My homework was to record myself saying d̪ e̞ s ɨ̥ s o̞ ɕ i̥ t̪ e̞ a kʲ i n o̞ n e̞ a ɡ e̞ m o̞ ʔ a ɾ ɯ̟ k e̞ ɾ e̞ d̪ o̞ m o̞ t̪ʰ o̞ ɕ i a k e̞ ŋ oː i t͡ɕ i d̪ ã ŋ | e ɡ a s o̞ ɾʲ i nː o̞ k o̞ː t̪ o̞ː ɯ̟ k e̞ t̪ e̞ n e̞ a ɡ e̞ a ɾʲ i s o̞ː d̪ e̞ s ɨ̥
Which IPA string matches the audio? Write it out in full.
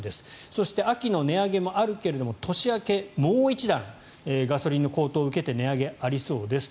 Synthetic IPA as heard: d̪ e̞ s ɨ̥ s o̞ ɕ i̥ t̪ e̞ a kʲ i n o̞ n e̞ a ɡ e̞ m o̞ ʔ a ɾ ɯ̟ k e̞ ɾ e̞ d̪ o̞ m o̞ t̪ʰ o̞ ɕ i a k e̞ m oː i t͡ɕ i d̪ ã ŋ | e ɡ a s o̞ ɾʲ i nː o̞ k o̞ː t̪ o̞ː ɯ̟ k e̞ t̪ e̞ n e̞ a ɡ e̞ a ɾʲ i s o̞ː d̪ e̞ s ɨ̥